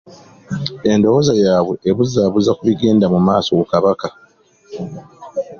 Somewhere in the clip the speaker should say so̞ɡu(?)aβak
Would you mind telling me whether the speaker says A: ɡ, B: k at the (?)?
B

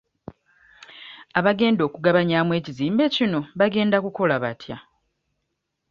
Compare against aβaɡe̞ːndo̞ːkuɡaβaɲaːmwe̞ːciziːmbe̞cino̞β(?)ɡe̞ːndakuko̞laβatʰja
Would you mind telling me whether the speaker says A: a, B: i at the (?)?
A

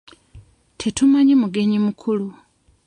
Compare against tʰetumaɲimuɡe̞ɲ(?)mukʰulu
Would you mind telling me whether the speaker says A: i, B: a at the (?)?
A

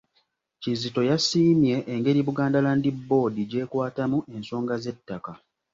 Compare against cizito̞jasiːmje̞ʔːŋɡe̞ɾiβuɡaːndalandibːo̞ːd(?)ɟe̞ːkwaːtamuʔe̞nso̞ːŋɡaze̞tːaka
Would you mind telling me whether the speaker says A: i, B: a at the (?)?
A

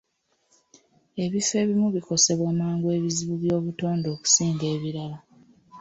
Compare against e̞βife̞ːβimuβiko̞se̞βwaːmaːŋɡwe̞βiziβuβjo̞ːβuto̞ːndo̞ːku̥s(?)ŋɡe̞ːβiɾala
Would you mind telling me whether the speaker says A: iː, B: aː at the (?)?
A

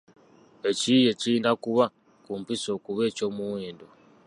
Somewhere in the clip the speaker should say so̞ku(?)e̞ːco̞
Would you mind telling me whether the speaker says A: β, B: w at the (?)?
A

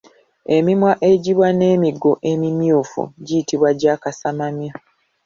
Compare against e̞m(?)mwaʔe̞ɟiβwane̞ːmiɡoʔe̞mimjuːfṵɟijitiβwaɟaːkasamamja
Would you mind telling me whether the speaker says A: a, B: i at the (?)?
B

